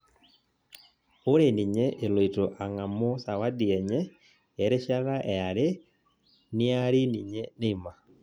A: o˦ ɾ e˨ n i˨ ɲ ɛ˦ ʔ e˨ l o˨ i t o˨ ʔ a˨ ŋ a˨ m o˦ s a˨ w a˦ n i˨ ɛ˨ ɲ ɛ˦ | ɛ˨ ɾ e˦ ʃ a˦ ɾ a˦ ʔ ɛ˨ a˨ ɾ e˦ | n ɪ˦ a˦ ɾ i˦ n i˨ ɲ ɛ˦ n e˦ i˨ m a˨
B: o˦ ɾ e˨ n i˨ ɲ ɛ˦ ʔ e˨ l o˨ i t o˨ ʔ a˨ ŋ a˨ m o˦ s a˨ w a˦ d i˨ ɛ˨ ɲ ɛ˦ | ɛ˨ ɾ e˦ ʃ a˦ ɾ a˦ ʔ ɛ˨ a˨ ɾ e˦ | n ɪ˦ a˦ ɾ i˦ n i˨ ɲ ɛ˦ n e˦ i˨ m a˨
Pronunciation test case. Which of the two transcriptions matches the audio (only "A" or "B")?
B